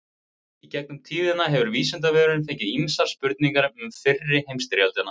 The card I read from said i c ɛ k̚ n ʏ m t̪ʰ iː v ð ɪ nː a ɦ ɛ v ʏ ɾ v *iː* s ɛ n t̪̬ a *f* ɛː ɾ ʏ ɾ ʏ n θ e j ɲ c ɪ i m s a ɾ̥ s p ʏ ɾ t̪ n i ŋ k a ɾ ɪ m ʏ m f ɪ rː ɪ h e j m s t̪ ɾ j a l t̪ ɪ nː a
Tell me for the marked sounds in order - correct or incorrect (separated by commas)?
correct, incorrect